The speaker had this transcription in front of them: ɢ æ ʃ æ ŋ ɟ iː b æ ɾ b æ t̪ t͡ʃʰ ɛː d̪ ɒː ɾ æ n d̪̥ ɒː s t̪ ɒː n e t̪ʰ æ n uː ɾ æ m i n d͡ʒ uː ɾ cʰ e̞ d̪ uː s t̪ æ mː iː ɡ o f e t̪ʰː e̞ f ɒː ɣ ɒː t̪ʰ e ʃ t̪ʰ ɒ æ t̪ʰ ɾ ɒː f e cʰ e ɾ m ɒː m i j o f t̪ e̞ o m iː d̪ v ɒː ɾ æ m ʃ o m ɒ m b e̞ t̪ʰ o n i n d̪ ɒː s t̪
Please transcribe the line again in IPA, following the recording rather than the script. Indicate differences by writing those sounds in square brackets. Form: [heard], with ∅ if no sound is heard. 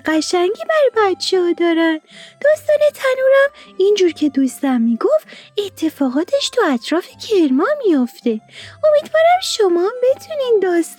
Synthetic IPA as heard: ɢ æ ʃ æ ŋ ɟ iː b æ ɾ b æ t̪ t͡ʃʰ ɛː d̪ ɒː ɾ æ n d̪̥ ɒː s t̪ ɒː n e t̪ʰ æ n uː ɾ æ m i n d͡ʒ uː ɾ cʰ e̞ d̪ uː s t̪ æ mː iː ɡ o f e t̪ʰː e̞ f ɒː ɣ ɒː t̪ʰ e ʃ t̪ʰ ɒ æ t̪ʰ ɾ ɒː f e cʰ e ɾ m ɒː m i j o f t̪ e̞ o m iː d̪ v ɒː ɾ æ m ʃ o m ɒ m b e̞ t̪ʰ [u] n i n d̪ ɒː s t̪